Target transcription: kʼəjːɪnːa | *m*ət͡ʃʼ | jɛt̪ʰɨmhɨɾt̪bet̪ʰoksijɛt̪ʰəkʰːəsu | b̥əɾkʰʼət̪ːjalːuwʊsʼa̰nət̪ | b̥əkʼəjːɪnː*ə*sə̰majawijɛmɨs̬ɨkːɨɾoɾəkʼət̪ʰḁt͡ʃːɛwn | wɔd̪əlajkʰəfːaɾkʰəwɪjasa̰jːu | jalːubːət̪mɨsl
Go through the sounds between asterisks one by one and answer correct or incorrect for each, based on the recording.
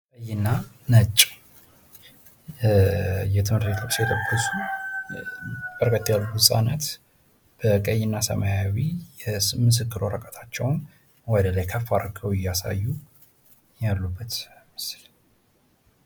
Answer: incorrect: n, incorrect: a

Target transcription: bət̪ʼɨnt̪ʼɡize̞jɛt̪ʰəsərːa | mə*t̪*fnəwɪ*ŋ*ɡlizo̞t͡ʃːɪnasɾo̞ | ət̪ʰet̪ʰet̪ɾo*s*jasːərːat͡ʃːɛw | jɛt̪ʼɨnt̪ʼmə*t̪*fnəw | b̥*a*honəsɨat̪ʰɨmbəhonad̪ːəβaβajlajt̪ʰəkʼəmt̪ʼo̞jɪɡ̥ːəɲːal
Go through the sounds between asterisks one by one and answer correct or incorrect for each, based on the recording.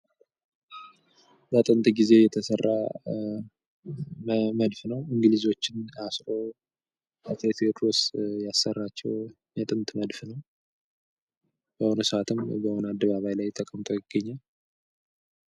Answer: incorrect: d̪, correct, correct, incorrect: d̪, incorrect: ə

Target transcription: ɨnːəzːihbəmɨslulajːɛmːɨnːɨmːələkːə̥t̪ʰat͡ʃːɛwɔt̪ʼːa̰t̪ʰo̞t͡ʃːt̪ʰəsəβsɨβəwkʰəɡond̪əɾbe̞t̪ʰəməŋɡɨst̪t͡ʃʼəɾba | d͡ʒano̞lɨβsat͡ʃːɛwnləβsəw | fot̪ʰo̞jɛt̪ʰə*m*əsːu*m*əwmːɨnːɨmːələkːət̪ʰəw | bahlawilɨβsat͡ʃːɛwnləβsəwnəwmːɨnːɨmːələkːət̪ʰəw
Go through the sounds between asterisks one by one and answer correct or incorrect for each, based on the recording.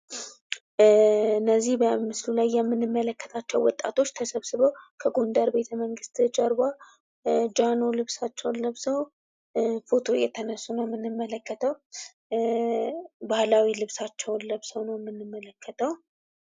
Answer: incorrect: n, incorrect: n

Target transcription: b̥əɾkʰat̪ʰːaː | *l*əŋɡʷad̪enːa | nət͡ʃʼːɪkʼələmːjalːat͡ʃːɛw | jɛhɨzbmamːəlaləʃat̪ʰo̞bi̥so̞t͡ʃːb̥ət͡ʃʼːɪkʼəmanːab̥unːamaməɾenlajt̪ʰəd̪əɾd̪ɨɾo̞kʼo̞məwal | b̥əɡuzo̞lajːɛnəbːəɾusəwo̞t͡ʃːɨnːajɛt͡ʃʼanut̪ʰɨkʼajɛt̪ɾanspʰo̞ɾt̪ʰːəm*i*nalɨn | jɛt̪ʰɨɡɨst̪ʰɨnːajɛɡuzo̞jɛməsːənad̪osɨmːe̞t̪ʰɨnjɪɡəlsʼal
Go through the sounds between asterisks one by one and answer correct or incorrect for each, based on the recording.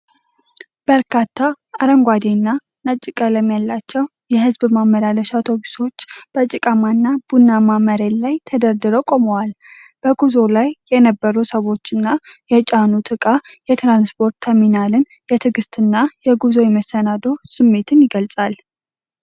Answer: incorrect: ɾ, correct

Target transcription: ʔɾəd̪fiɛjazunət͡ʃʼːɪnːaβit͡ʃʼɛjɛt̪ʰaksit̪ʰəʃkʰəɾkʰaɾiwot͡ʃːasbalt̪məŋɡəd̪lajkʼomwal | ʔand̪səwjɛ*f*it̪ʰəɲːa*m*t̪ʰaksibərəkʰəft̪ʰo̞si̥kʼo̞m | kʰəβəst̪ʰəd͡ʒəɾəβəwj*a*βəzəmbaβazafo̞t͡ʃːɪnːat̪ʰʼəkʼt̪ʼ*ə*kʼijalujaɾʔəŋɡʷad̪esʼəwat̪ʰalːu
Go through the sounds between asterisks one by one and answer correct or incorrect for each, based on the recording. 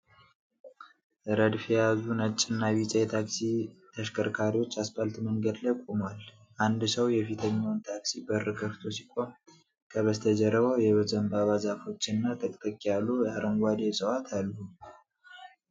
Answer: correct, incorrect: n, incorrect: ɛ, correct

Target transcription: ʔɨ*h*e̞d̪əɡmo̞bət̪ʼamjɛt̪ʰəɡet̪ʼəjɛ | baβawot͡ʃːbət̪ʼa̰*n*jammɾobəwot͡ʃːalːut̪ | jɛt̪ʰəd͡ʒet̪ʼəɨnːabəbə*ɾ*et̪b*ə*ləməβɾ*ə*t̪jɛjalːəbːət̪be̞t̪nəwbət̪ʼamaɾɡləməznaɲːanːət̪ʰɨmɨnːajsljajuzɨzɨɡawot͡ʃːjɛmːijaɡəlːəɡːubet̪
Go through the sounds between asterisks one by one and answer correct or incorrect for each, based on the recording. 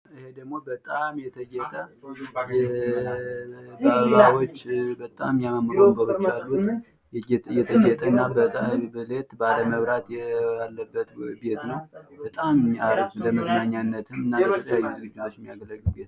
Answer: correct, incorrect: m, incorrect: l, incorrect: a, incorrect: a

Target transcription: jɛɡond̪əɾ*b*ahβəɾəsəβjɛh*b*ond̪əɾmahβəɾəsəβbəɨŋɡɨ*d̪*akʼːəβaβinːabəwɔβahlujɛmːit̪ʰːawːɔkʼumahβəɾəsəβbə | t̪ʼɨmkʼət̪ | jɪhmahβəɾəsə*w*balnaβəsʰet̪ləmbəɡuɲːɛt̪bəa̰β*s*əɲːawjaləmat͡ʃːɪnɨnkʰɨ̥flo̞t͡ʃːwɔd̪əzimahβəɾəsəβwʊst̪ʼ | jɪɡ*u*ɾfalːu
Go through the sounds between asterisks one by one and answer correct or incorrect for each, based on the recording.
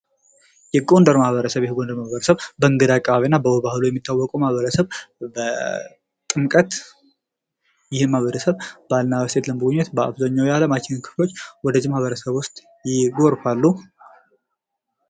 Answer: incorrect: m, incorrect: ɡ, correct, incorrect: β, incorrect: z, incorrect: o

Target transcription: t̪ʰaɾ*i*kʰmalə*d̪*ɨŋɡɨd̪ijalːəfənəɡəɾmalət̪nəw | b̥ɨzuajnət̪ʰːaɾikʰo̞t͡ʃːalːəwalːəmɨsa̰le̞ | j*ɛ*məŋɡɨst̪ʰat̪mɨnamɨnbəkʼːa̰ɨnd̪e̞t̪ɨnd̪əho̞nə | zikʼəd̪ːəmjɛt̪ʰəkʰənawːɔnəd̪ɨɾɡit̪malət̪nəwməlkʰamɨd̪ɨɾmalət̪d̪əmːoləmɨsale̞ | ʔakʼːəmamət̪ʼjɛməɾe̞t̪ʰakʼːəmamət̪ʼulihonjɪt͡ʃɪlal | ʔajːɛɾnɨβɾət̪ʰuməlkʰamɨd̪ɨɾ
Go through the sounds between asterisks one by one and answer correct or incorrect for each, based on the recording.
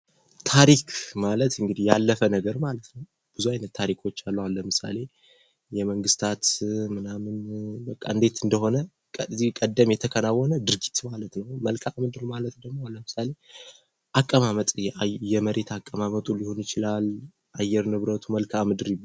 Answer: correct, incorrect: t̪, correct

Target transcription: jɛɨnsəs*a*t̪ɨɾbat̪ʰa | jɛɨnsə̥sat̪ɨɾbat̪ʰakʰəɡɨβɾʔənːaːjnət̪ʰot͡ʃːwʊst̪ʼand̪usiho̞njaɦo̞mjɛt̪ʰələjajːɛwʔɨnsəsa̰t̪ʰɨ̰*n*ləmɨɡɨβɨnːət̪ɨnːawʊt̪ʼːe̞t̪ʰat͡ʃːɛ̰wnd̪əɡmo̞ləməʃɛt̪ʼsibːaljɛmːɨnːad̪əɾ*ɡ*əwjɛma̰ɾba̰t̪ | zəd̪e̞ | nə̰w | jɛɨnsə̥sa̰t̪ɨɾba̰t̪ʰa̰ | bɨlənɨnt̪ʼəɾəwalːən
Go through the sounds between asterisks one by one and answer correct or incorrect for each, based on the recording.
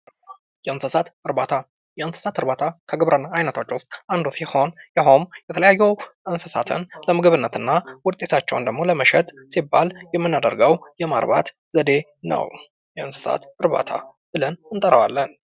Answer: correct, correct, correct

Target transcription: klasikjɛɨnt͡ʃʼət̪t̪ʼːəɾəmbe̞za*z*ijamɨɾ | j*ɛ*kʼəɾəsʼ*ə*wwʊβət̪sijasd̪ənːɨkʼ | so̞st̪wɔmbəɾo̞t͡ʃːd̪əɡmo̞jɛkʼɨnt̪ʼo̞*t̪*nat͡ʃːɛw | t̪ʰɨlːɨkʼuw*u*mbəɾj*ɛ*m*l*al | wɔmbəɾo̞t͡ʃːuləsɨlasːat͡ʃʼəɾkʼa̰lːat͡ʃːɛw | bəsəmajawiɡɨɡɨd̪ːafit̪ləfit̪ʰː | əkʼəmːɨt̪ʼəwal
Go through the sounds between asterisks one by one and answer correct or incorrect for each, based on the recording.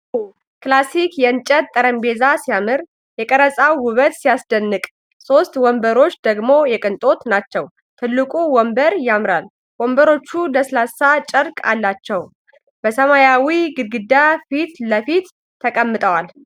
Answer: incorrect: s, correct, incorrect: a, correct, incorrect: ɔ, incorrect: a, incorrect: ɾ

